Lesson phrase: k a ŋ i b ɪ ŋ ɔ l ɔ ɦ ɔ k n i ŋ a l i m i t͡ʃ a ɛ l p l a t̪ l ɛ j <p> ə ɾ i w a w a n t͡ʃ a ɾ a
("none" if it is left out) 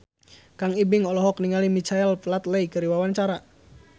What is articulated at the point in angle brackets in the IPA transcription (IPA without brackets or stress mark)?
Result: k